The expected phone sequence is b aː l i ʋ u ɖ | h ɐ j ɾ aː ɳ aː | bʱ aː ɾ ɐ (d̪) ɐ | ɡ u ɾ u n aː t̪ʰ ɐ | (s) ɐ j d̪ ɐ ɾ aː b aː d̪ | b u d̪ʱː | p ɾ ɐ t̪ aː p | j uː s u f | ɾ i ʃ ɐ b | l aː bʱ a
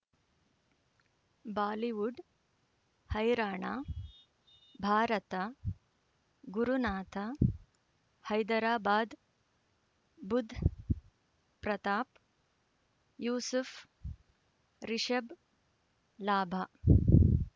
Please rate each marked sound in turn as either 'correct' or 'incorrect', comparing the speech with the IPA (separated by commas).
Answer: incorrect, incorrect